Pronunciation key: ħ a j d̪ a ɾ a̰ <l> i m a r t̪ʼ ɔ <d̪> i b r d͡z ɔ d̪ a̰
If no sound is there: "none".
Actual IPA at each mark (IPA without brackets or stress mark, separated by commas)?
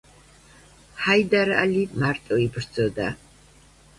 l, none